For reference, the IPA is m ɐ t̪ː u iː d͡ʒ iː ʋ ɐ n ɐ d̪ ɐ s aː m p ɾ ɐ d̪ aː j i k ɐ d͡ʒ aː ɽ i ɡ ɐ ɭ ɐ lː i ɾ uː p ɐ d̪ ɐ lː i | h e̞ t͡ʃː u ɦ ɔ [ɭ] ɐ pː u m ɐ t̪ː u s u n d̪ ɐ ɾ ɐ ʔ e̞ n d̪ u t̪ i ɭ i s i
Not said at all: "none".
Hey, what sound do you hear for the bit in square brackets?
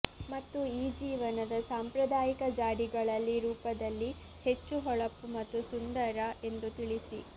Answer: ɭ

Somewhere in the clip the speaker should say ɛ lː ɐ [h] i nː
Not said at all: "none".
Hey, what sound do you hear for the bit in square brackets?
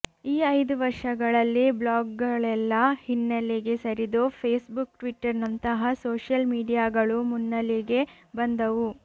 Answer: h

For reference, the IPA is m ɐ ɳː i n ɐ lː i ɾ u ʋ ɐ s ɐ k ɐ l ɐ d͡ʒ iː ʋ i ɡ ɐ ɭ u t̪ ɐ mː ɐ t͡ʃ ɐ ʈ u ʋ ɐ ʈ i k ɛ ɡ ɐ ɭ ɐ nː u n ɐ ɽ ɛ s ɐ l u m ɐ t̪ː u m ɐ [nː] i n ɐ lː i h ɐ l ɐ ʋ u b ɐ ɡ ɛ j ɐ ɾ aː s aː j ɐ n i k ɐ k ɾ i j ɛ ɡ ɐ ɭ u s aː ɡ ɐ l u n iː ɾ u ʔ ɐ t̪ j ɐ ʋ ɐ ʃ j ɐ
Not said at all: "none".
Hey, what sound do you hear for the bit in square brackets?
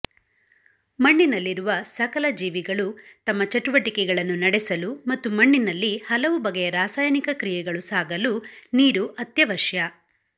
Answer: ɳː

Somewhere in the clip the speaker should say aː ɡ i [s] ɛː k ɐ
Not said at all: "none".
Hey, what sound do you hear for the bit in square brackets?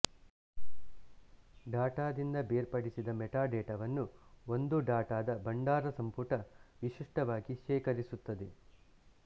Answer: ʃ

